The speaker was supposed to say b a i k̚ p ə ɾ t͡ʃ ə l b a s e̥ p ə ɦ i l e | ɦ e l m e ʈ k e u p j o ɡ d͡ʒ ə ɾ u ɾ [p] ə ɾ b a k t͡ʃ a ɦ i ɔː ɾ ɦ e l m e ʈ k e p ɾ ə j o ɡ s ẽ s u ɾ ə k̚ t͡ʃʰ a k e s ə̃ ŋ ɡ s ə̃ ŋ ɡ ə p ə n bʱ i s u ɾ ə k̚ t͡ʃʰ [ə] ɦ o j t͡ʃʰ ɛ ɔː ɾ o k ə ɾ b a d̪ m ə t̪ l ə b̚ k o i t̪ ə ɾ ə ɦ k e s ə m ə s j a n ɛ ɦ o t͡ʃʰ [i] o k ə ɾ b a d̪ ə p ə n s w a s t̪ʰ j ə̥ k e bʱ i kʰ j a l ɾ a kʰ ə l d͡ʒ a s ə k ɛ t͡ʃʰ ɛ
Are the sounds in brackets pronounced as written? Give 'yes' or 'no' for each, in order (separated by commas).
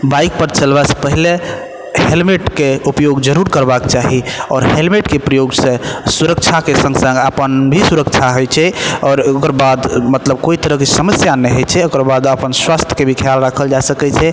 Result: no, no, no